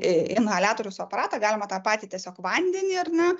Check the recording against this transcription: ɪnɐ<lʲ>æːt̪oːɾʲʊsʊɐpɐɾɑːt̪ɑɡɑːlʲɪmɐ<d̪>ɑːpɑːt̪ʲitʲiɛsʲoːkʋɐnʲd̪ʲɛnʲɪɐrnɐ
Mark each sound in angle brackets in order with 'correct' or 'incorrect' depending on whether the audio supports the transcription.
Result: correct, incorrect: t̪

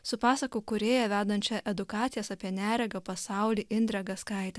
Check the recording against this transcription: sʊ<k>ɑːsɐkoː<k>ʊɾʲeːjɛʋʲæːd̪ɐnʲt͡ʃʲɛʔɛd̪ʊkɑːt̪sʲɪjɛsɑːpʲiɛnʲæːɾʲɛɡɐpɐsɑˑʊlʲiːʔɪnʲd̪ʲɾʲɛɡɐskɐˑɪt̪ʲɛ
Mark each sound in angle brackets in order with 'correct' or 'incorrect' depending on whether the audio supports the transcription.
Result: incorrect: p, correct

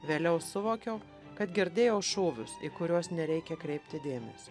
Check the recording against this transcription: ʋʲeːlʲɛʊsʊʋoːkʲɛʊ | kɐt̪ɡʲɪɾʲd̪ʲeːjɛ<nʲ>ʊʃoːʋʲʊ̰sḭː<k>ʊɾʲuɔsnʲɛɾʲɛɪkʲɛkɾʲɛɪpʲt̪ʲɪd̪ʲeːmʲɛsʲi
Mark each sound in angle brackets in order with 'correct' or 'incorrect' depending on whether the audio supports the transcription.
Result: incorrect: none, correct

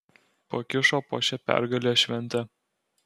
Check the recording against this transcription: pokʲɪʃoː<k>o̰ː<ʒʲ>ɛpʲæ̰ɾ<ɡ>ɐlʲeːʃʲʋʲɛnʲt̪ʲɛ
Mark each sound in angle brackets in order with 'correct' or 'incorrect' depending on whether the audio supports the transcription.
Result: incorrect: p, incorrect: ʃʲ, correct

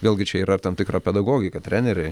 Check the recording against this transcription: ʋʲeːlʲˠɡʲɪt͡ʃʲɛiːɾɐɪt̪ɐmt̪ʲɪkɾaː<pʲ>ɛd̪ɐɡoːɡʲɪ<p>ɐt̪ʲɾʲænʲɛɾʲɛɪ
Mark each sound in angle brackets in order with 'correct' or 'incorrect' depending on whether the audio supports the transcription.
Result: correct, incorrect: k

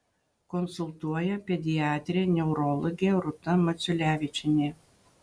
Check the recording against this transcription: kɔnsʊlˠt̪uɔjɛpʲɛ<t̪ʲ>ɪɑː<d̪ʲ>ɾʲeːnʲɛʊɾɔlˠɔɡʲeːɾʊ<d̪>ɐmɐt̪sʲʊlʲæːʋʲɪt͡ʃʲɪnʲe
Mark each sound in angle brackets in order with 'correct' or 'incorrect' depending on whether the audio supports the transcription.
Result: incorrect: d̪ʲ, incorrect: t̪ʲ, incorrect: t̪

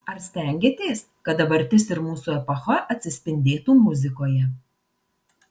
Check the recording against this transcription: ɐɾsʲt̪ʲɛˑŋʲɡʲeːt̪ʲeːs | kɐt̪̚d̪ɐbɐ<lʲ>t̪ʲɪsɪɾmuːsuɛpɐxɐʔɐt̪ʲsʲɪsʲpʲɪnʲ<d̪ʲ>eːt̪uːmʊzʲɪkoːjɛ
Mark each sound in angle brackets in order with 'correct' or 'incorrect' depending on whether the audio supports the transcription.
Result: incorrect: ɾʲ, correct

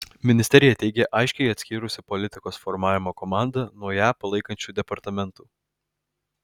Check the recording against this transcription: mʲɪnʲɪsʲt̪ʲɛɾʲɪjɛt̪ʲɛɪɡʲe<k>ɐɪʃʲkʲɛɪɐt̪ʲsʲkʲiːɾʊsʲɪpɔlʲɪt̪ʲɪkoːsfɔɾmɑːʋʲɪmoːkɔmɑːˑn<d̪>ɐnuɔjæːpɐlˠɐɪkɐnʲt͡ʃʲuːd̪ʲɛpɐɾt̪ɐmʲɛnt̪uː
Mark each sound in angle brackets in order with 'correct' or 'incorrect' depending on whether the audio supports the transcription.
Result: incorrect: ʔ, correct

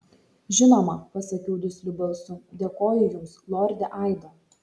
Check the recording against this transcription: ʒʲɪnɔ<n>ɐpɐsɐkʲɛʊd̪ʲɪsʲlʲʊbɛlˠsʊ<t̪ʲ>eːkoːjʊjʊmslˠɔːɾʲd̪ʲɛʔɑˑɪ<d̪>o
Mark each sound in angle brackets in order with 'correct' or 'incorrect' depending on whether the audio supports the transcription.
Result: incorrect: m, incorrect: d̪ʲ, correct

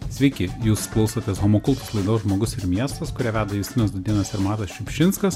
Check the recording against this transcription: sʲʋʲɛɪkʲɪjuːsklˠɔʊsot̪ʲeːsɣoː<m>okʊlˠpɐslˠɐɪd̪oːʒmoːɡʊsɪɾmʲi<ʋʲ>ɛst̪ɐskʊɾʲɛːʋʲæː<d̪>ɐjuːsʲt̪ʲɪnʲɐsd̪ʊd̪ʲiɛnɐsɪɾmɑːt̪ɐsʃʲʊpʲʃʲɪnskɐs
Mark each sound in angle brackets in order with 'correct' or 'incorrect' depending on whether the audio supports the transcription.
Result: correct, incorrect: none, correct

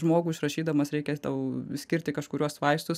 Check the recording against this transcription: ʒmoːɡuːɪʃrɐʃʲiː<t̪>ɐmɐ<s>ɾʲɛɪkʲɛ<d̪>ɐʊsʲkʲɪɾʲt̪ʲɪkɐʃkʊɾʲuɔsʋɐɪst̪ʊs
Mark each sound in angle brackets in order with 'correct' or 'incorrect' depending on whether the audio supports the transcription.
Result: incorrect: d̪, correct, incorrect: t̪

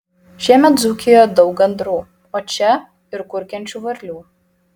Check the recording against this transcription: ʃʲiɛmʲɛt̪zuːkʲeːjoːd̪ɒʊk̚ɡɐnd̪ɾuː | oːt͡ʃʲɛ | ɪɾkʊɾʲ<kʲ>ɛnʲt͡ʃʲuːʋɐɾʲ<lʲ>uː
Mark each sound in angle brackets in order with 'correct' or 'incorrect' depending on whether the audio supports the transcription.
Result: correct, correct

